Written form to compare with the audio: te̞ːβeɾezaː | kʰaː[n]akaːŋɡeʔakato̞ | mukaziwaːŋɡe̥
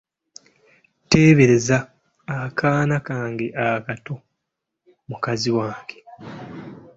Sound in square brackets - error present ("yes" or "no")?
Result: no